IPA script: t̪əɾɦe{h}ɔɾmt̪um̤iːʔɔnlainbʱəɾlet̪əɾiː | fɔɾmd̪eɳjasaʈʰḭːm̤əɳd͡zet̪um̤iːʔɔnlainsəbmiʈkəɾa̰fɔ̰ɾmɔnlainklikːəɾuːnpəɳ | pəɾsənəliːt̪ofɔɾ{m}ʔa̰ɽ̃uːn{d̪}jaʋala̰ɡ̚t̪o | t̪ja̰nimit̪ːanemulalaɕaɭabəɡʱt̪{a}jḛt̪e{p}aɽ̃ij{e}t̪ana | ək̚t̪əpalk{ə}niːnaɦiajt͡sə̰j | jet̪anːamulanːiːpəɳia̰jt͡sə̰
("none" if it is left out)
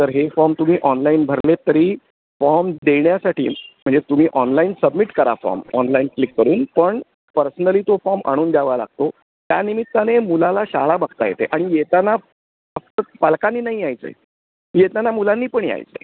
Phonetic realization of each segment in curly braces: f, m, d̪, a, ʔ, e, a

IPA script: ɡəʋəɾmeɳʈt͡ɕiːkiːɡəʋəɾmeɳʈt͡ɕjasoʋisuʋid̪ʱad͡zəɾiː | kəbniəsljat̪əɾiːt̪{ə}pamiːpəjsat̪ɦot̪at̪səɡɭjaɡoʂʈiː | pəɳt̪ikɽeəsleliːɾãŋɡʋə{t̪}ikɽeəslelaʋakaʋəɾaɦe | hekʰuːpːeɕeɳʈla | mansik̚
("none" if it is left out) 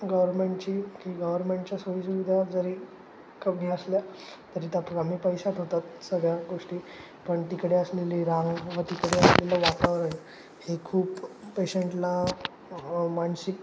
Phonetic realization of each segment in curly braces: a, t̪

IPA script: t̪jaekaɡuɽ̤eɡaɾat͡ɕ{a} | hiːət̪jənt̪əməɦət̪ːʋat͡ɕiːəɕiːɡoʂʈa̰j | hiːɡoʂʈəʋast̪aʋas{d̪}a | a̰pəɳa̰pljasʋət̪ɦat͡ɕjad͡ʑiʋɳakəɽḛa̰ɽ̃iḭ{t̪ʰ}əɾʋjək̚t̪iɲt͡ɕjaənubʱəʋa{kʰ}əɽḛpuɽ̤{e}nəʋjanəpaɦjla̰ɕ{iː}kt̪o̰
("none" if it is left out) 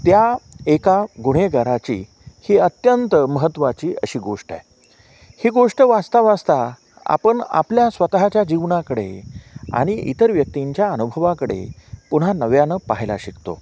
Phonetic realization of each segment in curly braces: i, t̪, t̪, k, a, i

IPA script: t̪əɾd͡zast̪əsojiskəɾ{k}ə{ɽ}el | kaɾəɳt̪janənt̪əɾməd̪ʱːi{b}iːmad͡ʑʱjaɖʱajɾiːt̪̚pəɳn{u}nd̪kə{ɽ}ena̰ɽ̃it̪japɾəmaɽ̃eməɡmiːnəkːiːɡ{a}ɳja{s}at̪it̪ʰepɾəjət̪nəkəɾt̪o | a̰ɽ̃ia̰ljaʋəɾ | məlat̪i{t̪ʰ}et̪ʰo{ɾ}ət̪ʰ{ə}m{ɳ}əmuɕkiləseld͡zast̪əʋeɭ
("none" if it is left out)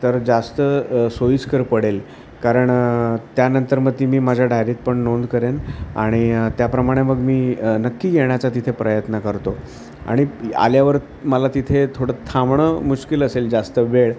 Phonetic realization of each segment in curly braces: p, ɽ, m, o, ɾ, e, t͡s, t̪ʰ, ɽ, a, ɳ

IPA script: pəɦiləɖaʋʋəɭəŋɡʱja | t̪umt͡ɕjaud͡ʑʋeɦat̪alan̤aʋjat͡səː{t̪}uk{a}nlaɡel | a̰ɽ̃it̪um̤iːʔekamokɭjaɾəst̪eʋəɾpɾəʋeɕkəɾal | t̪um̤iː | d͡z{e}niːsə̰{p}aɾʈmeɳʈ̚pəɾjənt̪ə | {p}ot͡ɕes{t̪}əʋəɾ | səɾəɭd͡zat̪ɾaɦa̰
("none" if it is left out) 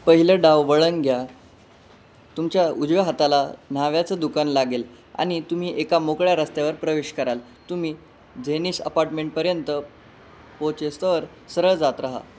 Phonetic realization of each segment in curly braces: d̪, a, e, p, p, t̪

